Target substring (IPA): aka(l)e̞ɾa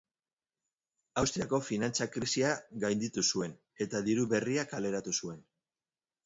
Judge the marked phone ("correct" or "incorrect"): correct